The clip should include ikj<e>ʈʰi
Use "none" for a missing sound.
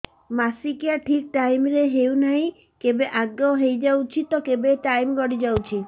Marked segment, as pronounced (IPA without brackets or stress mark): a